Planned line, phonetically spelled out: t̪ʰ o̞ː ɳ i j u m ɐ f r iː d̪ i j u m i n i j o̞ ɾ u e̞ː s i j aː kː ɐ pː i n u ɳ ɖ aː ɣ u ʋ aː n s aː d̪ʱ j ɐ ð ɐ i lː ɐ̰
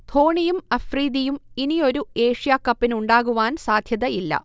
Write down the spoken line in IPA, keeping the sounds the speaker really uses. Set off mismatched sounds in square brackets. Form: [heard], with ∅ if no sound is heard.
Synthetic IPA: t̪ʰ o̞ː ɳ i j u m ɐ f r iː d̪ i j u m i n i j o̞ ɾ u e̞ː [ʂ] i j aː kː ɐ pː i n u ɳ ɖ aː ɣ u ʋ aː n s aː d̪ʱ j ɐ ð ɐ i lː ɐ̰